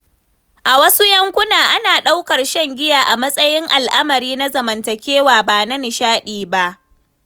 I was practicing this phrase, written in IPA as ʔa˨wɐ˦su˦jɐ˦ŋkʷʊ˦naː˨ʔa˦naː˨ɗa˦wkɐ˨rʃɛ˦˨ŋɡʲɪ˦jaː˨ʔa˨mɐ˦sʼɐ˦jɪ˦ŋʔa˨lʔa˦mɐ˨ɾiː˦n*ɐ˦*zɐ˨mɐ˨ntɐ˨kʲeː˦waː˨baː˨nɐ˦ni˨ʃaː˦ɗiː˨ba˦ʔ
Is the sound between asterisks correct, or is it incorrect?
incorrect